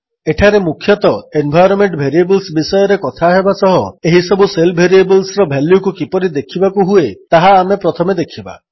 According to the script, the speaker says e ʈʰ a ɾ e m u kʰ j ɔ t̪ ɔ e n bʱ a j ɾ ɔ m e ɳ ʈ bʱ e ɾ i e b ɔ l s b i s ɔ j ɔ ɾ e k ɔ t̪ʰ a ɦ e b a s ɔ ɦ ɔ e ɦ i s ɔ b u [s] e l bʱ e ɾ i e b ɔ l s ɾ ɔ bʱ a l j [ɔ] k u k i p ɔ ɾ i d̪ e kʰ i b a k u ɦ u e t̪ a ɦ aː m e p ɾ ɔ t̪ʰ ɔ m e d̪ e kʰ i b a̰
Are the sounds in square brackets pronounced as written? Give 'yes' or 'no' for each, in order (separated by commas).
yes, no